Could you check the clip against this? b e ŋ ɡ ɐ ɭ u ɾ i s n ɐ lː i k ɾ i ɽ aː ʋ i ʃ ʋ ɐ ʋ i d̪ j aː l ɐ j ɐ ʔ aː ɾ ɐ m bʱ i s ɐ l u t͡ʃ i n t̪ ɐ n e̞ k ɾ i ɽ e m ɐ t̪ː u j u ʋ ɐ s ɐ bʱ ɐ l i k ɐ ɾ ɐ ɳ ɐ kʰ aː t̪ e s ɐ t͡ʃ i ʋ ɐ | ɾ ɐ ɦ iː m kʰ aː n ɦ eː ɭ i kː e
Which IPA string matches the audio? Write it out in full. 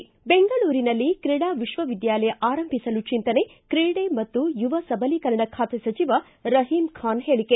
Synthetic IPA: b e ŋ ɡ ɐ ɭ uː ɾ i n ɐ lː i k ɾ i ɽ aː ʋ i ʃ ʋ ɐ ʋ i d̪ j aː l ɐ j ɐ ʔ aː ɾ ɐ m bʱ i s ɐ l u t͡ʃ i n t̪ ɐ n e̞ k ɾ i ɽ e m ɐ t̪ː u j u ʋ ɐ s ɐ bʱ ɐ l i k ɐ ɾ ɐ ɳ ɐ kʰ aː t̪ e s ɐ t͡ʃ i ʋ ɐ | ɾ ɐ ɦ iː m kʰ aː n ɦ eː ɭ i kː e